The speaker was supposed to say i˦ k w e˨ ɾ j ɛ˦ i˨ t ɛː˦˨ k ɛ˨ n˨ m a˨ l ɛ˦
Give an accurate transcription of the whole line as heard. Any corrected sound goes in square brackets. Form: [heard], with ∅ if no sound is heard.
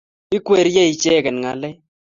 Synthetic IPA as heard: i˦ k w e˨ ɾ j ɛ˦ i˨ [t͡ʃ] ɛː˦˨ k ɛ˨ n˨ [ŋ] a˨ l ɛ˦